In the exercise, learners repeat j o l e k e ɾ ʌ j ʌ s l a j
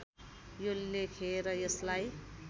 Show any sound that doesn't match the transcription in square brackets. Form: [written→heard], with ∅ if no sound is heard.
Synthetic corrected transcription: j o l e [k→kʰ] e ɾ ʌ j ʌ s l a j